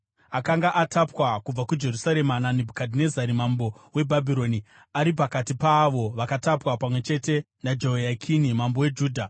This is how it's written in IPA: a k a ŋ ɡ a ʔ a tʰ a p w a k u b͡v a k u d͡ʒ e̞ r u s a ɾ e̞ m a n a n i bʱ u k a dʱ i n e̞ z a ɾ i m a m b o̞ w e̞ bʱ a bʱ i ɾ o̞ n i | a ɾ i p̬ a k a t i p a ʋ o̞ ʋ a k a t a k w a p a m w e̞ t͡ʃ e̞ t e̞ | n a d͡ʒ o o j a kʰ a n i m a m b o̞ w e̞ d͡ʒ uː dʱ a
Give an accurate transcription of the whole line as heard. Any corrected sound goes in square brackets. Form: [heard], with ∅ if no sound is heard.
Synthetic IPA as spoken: a k a ŋ ɡ a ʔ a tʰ a p w a k u b͡v a k u d͡ʒ e̞ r u s a ɾ e̞ m a n a n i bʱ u k a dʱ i n e̞ z a ɾ i m a m b o̞ w e̞ bʱ a bʱ i ɾ o̞ n i | a ɾ i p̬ a k a t i p a ʋ o̞ ʋ a k a t a [p] w a p a m w e̞ t͡ʃ e̞ t e̞ | n a d͡ʒ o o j a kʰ [i] n i m a m b o̞ w e̞ d͡ʒ uː dʱ a